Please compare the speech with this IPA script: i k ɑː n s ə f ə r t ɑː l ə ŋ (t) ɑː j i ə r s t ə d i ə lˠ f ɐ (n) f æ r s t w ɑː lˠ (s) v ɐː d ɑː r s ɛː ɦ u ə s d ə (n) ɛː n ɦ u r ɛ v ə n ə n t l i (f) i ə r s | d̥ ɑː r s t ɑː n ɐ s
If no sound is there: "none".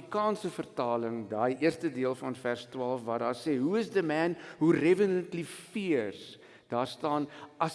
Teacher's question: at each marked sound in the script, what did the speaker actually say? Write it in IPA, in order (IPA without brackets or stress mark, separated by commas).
d, n, f, m, f